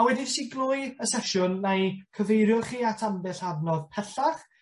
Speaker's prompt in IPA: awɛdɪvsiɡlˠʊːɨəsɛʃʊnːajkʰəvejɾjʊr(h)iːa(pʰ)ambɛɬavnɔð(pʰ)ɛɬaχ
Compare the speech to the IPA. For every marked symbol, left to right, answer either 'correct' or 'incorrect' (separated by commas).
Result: incorrect, incorrect, correct